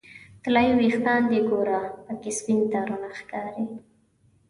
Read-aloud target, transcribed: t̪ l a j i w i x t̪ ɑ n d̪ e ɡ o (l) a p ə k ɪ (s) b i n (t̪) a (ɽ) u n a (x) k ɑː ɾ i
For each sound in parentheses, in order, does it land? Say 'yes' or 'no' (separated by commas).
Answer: no, yes, yes, no, yes